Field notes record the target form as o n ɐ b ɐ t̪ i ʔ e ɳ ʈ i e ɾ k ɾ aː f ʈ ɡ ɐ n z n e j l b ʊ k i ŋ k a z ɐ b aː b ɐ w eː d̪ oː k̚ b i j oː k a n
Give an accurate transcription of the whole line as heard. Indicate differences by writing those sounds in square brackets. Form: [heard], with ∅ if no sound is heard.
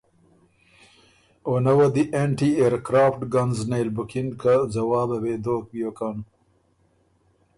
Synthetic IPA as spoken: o n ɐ [w] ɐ [d̪] i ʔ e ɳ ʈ i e ɾ k ɾ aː f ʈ ɡ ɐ n z n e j l b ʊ k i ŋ k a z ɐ [w] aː b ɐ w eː d̪ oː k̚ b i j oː k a n